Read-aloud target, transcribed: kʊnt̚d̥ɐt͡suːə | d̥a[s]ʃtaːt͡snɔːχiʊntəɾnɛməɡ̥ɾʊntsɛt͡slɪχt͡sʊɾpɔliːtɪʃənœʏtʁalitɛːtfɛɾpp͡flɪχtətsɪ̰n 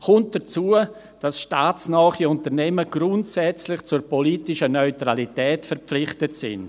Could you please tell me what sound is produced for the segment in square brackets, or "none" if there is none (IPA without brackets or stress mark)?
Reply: s